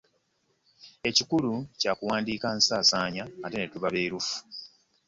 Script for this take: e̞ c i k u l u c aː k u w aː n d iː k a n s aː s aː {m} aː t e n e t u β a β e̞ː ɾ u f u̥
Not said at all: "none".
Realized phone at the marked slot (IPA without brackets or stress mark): ɲ